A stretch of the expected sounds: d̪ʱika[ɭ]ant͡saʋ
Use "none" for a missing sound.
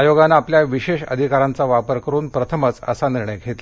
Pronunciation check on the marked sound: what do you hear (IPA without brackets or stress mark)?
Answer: ɾ